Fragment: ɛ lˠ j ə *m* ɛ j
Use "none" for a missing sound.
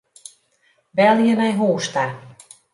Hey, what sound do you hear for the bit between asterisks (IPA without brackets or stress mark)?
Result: n